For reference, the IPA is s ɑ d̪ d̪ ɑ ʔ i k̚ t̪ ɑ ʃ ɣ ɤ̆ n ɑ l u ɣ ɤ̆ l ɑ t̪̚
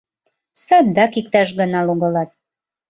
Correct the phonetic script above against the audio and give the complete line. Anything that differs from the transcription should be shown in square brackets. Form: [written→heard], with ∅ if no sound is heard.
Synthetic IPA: s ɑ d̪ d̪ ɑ [ʔ→k] i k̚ t̪ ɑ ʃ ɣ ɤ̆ n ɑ l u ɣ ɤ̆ l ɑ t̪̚